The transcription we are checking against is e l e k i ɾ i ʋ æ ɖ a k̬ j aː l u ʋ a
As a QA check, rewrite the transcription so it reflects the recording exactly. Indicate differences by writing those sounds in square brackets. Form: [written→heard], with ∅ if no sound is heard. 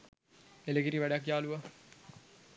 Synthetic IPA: e l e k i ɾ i ʋ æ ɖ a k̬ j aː l u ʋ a